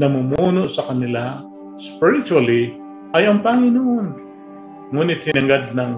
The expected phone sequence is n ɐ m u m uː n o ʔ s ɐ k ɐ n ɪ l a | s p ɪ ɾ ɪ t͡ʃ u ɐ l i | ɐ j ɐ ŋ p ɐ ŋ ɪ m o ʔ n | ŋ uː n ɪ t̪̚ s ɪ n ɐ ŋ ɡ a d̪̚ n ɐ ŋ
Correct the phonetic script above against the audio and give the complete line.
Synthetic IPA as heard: n ɐ m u m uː n o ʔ s ɐ k ɐ n ɪ l a | s p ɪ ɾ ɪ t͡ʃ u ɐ l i | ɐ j ɐ ŋ p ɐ ŋ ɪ n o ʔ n | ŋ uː n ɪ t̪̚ h ɪ n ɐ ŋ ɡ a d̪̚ n ɐ ŋ